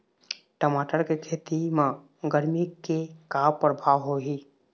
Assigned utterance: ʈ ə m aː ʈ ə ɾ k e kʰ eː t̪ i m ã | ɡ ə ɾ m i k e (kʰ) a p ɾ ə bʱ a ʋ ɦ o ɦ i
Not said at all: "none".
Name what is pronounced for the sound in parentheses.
k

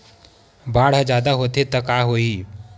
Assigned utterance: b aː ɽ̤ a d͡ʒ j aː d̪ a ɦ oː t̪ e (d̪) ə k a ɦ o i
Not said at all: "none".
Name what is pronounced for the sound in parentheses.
t̪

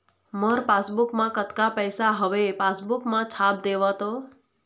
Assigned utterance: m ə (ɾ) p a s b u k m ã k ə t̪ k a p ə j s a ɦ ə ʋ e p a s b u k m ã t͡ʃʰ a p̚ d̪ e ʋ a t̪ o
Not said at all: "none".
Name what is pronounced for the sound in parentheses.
ɾ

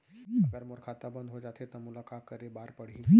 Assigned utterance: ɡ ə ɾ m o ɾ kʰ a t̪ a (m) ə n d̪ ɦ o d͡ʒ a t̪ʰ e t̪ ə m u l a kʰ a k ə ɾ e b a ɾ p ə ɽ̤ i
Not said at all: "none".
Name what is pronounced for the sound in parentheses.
b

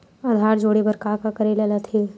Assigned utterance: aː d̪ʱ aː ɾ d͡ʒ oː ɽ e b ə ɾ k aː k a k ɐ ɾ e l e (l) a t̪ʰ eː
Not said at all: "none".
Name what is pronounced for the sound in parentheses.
l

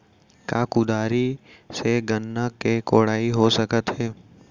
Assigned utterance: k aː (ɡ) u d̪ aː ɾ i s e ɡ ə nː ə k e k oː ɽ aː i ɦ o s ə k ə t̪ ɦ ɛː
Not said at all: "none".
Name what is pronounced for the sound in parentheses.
k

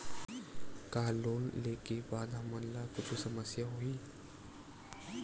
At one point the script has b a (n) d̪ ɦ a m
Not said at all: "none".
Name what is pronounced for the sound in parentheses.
none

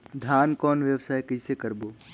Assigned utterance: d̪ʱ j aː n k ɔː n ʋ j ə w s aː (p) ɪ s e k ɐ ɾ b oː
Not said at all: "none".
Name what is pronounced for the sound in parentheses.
k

